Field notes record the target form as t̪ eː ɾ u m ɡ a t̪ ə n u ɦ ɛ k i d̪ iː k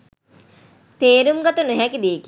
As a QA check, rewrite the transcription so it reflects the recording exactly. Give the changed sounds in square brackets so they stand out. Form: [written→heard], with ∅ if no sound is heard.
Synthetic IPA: t̪ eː ɾ u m ɡ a t̪ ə n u ɦ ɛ k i d̪ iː k